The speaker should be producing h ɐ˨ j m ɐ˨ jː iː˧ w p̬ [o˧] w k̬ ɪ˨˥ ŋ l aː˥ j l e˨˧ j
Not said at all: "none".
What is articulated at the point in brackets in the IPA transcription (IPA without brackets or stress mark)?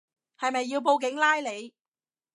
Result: o˧